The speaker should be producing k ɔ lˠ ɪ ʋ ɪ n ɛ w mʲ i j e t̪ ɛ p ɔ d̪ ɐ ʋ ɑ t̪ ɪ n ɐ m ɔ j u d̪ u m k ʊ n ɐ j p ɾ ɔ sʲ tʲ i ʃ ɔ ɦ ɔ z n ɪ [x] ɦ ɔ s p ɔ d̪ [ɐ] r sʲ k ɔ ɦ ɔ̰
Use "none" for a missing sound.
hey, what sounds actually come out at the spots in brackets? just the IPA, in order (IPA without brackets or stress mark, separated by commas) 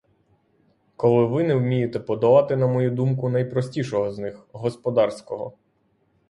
x, ɑ